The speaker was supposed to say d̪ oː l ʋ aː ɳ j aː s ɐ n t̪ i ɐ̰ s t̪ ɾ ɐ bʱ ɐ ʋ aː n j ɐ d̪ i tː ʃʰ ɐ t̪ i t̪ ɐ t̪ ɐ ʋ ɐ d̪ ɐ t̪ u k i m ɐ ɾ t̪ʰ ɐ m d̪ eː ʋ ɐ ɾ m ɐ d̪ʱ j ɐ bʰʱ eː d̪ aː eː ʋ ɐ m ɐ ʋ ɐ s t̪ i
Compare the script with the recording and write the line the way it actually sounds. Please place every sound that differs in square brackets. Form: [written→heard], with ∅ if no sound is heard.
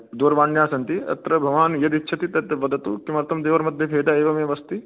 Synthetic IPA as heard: d̪ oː [l→ɾ] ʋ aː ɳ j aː s ɐ n t̪ i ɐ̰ [s→∅] t̪ ɾ ɐ bʱ ɐ ʋ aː n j ɐ d̪ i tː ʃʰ ɐ t̪ i t̪ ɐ t̪ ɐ ʋ ɐ d̪ ɐ t̪ u k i m ɐ ɾ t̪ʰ ɐ m d̪ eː ʋ ɐ ɾ m ɐ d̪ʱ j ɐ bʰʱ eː d̪ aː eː ʋ ɐ m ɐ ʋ ɐ s t̪ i